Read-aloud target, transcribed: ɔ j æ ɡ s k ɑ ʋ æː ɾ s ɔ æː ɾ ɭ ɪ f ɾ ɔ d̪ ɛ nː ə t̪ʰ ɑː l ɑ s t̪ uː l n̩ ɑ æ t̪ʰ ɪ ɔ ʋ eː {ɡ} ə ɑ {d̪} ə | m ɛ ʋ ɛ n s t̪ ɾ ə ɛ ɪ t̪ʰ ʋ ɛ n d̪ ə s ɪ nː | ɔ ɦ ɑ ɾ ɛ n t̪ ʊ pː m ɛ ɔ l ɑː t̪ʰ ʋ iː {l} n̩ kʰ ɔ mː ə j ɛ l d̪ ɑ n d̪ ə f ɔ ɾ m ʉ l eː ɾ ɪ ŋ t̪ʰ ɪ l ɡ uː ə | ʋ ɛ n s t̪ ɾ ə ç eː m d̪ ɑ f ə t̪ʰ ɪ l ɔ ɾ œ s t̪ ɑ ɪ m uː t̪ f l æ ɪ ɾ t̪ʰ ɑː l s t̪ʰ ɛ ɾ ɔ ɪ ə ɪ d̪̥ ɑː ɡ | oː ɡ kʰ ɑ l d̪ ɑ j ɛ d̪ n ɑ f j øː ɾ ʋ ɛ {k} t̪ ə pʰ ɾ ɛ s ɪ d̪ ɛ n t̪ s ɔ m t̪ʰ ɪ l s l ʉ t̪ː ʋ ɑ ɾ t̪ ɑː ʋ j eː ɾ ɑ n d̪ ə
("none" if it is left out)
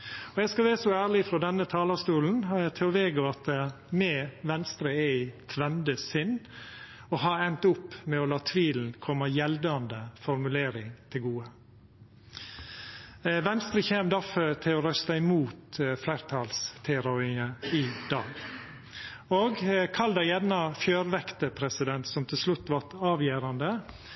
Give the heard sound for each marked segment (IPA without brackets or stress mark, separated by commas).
ɡ, t̪, l, k